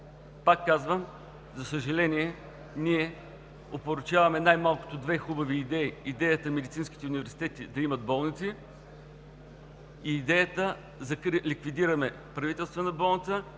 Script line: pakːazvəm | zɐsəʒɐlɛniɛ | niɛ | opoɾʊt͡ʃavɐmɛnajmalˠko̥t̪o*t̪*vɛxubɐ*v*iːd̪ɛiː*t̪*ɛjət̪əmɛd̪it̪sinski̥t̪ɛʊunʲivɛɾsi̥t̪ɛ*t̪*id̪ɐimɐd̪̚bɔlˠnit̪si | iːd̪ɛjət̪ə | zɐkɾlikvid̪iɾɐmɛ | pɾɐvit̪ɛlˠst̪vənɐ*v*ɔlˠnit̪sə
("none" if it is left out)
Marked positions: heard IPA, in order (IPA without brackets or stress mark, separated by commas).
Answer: d̪, v, d̪, t̪, b